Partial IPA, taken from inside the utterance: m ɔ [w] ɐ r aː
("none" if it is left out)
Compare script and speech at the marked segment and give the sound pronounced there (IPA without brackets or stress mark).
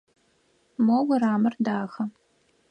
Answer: w